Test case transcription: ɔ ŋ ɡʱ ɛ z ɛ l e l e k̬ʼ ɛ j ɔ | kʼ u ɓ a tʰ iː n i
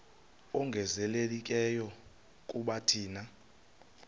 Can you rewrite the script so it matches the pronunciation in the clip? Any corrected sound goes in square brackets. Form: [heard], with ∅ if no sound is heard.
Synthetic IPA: ɔ ŋ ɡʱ ɛ z ɛ l e l [i] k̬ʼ ɛ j ɔ | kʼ u ɓ a tʰ iː n [a]